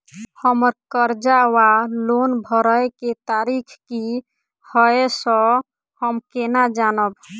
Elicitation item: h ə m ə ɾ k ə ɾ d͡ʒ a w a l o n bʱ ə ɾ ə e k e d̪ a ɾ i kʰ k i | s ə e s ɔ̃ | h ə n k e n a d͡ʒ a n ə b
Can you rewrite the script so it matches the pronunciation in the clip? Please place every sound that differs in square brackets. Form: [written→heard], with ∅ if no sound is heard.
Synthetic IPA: h ə m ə ɾ k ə ɾ d͡ʒ a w a l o n bʱ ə ɾ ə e k e [d̪→t̪] a ɾ i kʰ k i | [s→h] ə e s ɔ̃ | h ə [n→m] k e n a d͡ʒ a n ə b